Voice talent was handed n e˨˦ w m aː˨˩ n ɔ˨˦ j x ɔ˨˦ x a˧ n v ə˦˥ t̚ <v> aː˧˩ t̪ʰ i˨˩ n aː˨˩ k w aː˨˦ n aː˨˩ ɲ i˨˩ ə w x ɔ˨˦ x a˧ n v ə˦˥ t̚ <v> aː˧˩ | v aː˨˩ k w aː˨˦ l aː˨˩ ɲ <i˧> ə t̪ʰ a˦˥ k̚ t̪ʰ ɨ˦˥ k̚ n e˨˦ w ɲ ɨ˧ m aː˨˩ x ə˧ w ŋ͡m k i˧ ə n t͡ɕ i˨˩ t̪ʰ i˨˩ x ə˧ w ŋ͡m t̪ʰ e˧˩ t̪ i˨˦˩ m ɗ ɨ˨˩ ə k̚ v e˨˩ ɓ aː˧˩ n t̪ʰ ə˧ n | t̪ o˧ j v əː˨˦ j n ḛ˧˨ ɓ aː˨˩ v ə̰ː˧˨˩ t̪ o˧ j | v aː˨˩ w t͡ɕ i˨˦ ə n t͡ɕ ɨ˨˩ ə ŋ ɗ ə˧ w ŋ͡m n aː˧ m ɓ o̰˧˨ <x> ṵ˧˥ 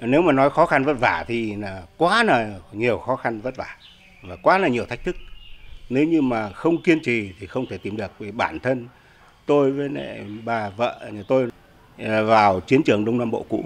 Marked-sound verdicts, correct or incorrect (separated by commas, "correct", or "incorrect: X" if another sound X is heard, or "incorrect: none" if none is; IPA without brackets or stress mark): correct, correct, incorrect: i˨˩, incorrect: k